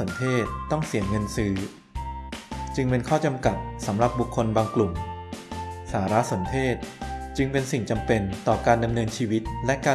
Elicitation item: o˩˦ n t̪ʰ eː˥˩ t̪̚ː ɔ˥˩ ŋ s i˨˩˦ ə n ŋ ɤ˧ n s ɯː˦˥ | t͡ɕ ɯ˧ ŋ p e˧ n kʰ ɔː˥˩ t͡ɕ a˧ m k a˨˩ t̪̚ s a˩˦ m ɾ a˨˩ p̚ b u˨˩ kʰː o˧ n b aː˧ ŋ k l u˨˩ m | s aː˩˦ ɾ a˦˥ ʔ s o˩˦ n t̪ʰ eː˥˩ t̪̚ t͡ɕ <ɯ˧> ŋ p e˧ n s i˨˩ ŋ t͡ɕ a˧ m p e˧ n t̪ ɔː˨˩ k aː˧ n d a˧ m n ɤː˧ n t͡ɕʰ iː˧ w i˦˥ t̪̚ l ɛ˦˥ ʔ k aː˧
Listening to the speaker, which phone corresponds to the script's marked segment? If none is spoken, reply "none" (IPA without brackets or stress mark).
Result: ɯ˧